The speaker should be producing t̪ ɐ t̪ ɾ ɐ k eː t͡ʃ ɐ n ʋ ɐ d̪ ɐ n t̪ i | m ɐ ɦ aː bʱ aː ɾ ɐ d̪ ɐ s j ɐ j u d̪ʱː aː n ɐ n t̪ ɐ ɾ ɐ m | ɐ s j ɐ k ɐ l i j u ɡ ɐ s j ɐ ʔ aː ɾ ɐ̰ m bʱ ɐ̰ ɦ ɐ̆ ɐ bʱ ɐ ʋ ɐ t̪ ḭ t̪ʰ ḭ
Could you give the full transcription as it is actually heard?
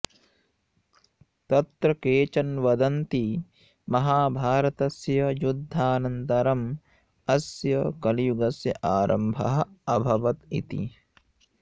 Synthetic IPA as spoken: t̪ ɐ t̪ ɾ ɐ k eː t͡ʃ ɐ n ʋ ɐ d̪ ɐ n t̪ i | m ɐ ɦ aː bʱ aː ɾ ɐ t̪ ɐ s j ɐ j u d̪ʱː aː n ɐ n t̪ ɐ ɾ ɐ m | ɐ s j ɐ k ɐ l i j u ɡ ɐ s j ɐ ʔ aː ɾ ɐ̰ m bʱ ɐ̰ ɦ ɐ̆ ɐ bʱ ɐ ʋ ɐ t̪ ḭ t̪ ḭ